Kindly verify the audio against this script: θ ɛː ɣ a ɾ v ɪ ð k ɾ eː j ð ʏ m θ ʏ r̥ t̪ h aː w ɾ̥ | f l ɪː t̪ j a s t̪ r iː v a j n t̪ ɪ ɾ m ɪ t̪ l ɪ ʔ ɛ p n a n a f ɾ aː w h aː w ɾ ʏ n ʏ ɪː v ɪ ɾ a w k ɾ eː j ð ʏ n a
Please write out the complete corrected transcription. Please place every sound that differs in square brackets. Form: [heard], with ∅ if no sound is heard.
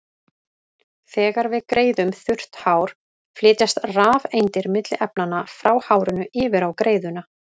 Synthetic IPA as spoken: θ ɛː ɣ a ɾ v ɪ ð k ɾ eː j ð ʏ m θ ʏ r̥ t̪ h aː w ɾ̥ | f l ɪː t̪ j a s t̪ r [aː] v [e] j n t̪ ɪ ɾ m ɪ t̪ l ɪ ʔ ɛ p n a n a f ɾ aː w h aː w ɾ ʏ n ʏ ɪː v ɪ ɾ a w k ɾ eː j ð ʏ n a

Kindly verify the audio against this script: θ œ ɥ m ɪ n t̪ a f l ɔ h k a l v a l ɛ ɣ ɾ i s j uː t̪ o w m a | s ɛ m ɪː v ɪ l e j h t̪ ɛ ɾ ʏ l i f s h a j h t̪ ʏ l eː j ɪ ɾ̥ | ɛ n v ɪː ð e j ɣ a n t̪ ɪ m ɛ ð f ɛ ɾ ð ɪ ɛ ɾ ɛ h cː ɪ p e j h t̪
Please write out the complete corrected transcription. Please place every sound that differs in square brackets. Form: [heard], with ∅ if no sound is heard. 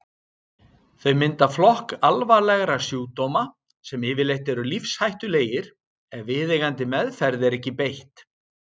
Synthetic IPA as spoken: θ œ ɥ m ɪ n t̪ a f l ɔ h k a l v a l ɛ ɣ ɾ [a] s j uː t̪ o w m a | s ɛ m ɪː v ɪ l e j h t̪ ɛ ɾ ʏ l i f s h a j h t̪ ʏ l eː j ɪ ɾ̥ | ɛ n v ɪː ð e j ɣ a n t̪ ɪ m ɛ ð f ɛ ɾ ð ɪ ɛ ɾ ɛ h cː ɪ p e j h t̪

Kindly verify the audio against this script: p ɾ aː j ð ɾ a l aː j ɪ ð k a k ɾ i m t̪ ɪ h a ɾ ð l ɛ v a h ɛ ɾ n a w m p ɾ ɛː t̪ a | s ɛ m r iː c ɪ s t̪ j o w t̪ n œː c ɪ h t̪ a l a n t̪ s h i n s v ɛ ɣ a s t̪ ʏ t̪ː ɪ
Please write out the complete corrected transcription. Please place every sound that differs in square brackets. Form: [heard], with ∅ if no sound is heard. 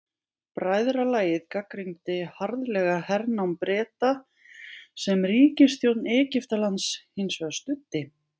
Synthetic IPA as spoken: p ɾ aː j ð ɾ a l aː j ɪ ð k a k ɾ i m t̪ ɪ h a ɾ ð l ɛ [ɣ] a h ɛ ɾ n a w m p ɾ ɛː t̪ a | s ɛ m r iː c ɪ s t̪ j o w t̪ n [ɛː] c ɪ [f] t̪ a l a n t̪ s h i n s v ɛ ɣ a s t̪ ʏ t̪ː ɪ

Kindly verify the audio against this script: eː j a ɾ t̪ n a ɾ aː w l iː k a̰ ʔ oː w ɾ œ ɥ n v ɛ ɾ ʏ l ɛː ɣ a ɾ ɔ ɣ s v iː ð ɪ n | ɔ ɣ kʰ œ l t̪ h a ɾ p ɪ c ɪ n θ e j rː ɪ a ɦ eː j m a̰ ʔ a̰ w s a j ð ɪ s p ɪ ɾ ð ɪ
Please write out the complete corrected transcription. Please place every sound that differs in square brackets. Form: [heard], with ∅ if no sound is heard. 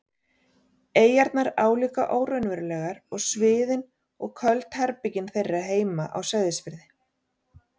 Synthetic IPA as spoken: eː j a ɾ t̪ n a ɾ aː w l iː k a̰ ʔ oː w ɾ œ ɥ n v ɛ ɾ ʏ l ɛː ɣ a ɾ ɔ ɣ s v [ɪː] ð ɪ n | ɔ ɣ kʰ œ l t̪ h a ɾ p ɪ c ɪ n θ e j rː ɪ a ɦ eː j m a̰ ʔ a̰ w s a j ð ɪ s p ɪ ɾ ð ɪ

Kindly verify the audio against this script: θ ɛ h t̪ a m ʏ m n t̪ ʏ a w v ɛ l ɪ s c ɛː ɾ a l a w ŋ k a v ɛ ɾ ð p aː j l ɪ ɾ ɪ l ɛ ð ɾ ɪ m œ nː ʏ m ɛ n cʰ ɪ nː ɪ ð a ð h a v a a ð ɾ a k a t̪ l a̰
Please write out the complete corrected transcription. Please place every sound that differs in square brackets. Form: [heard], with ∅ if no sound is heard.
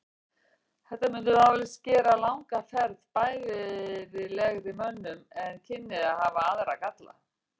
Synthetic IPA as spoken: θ ɛ h t̪ a m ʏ [∅] n t̪ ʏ a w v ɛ l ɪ s c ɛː ɾ a l a w ŋ k a [f] ɛ ɾ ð p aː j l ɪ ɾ ɪ l ɛ [ɣ] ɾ ɪ m œ nː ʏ m ɛ n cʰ ɪ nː ɪ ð a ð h a v a a ð ɾ a k a t̪ l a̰

